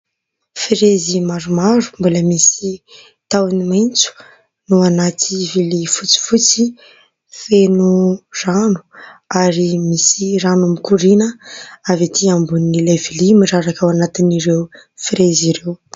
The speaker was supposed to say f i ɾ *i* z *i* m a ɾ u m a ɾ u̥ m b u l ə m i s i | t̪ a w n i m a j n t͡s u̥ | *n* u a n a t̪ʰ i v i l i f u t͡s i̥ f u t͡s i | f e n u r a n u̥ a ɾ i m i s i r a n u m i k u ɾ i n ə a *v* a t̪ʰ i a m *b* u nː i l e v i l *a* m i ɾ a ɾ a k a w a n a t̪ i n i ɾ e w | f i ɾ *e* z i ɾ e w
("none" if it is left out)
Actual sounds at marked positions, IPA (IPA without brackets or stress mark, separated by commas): e, i, n, v, b, i, e